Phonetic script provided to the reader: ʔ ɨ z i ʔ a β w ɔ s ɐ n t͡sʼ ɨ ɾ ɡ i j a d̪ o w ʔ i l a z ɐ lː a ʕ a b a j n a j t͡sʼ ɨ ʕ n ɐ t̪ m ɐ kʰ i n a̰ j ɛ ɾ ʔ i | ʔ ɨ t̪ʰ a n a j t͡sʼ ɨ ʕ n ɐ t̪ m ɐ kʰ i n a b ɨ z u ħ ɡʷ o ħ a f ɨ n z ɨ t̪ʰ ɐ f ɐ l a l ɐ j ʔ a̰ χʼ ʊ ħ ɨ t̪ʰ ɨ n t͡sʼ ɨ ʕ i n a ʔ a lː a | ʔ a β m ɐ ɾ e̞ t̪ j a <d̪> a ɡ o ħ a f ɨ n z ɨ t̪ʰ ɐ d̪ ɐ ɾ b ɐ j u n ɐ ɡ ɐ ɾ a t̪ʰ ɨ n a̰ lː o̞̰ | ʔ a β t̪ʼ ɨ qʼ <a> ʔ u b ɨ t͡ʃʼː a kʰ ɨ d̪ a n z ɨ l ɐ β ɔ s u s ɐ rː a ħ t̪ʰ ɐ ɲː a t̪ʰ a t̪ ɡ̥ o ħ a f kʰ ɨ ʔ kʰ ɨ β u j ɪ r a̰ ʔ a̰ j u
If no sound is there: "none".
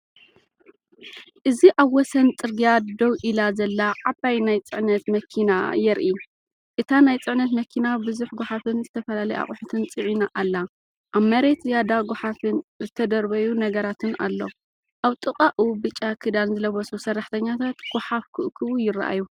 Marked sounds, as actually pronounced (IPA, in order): d̪, a

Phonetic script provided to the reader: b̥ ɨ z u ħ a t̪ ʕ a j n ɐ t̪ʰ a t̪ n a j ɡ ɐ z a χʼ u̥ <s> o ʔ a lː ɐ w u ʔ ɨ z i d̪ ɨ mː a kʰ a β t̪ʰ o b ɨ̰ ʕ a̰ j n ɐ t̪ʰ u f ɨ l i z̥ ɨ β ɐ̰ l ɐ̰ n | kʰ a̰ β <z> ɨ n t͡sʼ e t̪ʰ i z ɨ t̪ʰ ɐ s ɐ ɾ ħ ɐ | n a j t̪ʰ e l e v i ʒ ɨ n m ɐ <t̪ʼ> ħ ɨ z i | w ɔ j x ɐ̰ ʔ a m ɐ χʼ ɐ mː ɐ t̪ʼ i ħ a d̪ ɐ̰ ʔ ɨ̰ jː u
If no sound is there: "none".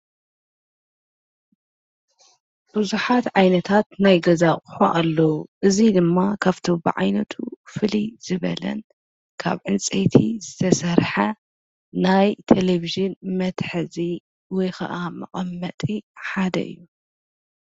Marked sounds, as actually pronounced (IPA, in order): ħ, ʕ, t̪

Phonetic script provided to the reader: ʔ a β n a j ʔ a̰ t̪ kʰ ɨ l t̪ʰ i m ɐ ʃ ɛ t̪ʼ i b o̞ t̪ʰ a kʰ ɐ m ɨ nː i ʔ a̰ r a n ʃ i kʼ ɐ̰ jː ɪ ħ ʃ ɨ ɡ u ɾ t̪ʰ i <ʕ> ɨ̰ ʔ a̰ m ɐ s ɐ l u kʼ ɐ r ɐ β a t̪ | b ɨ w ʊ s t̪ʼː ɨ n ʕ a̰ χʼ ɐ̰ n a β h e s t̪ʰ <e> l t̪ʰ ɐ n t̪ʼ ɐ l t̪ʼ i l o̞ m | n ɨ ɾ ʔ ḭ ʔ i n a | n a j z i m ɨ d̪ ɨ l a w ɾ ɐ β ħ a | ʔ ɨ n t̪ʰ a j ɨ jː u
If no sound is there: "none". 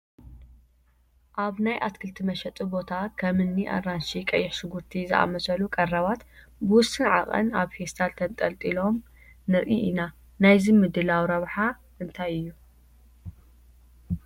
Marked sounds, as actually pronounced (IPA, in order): z, a

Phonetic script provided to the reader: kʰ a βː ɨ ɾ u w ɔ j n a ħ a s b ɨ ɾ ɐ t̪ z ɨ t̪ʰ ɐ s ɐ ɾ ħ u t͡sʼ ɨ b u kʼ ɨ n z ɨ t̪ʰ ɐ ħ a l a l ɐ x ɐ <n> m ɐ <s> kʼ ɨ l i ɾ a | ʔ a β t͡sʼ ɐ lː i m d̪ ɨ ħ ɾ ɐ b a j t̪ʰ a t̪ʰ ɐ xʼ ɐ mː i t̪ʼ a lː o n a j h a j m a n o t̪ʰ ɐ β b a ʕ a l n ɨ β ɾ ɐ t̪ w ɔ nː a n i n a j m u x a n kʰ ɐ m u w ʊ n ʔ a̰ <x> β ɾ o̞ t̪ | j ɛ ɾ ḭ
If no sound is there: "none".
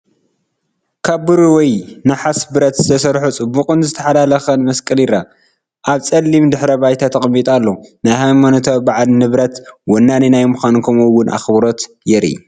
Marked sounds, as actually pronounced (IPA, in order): n, s, x

